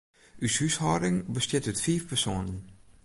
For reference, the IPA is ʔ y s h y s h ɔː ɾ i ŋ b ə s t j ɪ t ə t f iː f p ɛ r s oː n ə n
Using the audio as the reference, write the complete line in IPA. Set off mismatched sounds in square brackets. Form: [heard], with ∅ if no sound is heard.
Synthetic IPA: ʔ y s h y s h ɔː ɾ [ɪ] ŋ b ə s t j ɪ t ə t f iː f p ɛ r s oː n ə n